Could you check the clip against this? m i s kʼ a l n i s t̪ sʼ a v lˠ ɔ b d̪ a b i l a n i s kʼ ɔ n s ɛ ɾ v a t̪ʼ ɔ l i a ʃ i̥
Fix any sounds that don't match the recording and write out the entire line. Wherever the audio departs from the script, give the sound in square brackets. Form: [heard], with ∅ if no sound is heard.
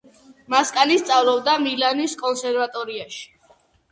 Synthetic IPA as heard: m [a] s kʼ a [∅] n i s t̪ sʼ a v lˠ ɔ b d̪ a [m] i l a n i s kʼ ɔ n s ɛ ɾ v a t̪ʼ ɔ [ɾ] i a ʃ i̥